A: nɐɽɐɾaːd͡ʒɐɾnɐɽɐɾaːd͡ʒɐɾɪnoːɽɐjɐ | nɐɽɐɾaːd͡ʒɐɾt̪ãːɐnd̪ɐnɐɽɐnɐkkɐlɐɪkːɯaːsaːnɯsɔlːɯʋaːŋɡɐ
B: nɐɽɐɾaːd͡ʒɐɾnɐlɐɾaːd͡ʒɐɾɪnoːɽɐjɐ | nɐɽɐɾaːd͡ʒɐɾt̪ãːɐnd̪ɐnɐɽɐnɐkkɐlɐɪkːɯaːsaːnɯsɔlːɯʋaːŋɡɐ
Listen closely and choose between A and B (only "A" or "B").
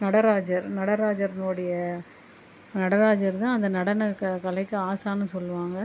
A